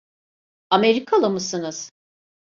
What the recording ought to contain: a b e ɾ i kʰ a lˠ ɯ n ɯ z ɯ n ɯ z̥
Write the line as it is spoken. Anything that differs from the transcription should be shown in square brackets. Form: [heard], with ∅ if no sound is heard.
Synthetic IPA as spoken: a [m] e ɾ i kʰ a lˠ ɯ [m] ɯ [s] ɯ n ɯ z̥